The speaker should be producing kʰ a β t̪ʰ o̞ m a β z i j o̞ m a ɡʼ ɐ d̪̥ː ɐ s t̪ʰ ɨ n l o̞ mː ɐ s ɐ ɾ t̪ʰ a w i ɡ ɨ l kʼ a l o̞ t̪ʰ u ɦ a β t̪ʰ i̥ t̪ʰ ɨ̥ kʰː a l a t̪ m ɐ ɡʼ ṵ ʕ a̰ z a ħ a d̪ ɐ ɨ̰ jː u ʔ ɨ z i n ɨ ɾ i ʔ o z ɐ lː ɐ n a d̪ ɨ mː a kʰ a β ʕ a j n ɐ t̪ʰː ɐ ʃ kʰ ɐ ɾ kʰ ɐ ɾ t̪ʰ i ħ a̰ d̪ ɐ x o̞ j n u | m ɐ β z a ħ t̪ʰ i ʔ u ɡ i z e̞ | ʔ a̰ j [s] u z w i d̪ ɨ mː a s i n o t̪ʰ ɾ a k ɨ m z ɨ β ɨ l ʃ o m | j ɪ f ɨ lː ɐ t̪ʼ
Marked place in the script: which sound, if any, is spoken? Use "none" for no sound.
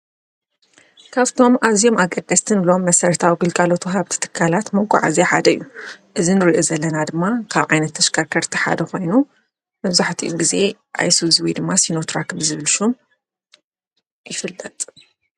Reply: s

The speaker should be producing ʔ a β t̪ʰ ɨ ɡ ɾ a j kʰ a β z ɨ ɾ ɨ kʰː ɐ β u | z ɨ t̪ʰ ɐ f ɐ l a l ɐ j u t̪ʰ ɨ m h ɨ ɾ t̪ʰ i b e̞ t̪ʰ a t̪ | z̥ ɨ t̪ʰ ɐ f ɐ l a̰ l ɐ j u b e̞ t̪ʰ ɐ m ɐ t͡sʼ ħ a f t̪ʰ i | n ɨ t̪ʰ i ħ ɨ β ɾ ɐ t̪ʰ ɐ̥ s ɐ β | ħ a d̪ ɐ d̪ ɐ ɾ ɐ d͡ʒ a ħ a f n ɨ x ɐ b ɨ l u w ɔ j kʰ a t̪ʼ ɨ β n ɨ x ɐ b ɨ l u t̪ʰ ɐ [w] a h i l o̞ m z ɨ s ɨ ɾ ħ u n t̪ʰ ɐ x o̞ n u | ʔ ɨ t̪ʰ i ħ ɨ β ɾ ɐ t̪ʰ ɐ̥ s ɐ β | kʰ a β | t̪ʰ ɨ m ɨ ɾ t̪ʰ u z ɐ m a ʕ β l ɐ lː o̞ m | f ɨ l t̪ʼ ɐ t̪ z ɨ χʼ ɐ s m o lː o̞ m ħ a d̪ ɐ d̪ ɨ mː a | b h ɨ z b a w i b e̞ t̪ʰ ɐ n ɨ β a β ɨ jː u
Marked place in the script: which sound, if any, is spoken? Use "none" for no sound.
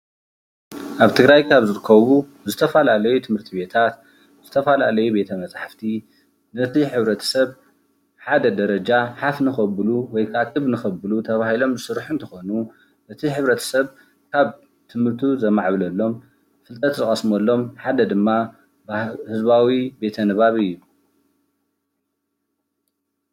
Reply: β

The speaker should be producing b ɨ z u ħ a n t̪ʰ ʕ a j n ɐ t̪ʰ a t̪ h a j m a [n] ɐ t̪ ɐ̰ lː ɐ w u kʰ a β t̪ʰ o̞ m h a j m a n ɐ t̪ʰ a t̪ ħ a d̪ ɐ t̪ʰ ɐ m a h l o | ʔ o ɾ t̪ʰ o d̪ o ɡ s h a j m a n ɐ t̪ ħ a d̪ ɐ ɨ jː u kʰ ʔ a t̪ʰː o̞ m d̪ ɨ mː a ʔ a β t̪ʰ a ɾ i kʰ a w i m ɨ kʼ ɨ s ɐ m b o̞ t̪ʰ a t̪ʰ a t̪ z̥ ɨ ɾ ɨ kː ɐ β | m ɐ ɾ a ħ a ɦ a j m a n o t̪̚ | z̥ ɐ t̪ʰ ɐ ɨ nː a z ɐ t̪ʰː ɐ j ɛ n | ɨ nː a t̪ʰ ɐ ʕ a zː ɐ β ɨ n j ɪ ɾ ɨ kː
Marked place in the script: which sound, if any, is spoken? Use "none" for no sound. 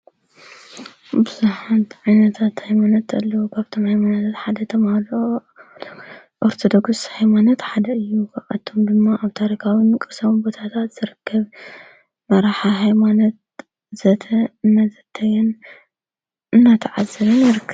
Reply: n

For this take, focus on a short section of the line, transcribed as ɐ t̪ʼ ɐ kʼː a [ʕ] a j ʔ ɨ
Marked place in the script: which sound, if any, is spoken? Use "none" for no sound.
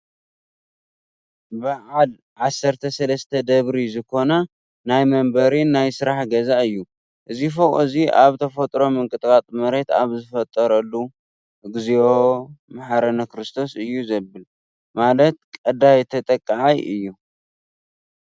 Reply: ʕ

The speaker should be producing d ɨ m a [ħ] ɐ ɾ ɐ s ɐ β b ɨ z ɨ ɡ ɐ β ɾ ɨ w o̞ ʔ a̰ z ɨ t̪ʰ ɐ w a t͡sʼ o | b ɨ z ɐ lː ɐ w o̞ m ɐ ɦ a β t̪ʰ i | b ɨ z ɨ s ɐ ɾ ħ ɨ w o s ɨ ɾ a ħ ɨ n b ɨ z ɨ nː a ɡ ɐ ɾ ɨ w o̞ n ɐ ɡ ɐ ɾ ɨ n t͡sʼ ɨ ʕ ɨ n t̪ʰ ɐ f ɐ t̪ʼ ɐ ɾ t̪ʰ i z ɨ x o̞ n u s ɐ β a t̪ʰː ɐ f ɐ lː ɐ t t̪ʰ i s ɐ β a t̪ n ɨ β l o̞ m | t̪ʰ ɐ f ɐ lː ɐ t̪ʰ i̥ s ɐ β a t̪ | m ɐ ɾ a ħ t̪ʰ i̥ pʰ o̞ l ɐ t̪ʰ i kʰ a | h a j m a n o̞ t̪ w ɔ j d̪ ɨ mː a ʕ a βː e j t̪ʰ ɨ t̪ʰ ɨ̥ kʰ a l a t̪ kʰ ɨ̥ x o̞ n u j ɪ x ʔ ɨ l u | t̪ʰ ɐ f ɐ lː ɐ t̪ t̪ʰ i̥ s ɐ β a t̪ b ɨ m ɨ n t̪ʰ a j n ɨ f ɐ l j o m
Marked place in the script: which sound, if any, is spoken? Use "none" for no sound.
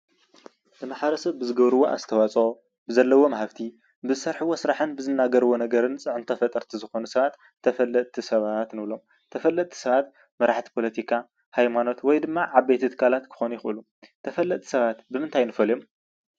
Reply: ħ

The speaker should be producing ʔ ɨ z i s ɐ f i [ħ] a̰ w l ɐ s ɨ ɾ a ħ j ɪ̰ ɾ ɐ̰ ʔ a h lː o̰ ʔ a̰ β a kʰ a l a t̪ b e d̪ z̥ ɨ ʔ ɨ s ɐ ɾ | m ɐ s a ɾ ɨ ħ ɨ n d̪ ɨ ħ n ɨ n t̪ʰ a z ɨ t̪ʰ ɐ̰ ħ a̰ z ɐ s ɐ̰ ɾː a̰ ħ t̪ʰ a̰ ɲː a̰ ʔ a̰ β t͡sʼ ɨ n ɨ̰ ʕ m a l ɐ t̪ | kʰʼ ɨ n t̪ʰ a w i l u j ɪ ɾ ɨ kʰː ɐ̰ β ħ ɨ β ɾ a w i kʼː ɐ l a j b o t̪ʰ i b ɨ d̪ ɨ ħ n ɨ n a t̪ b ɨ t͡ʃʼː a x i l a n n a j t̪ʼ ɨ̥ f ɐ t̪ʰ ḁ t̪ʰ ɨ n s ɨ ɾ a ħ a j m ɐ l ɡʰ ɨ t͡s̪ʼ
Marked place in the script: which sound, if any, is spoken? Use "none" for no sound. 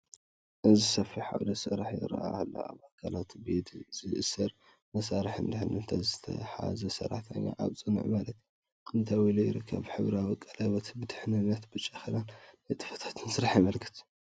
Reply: ħ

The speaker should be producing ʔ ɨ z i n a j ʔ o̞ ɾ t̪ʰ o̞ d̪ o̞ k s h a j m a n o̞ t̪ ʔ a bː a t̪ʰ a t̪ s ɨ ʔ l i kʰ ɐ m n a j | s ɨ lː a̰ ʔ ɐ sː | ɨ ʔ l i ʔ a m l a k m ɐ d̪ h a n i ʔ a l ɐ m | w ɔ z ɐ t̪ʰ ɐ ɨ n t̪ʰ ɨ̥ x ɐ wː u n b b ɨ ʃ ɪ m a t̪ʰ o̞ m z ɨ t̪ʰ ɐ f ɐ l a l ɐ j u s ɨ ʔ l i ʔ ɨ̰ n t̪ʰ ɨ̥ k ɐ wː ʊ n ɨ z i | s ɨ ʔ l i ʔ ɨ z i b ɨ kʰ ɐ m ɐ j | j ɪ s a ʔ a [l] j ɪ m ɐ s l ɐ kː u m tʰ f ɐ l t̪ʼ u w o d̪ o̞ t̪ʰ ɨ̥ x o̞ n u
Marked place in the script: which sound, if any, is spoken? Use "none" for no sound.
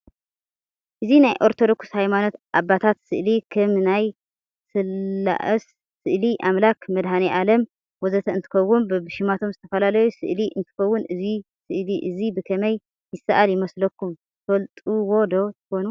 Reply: l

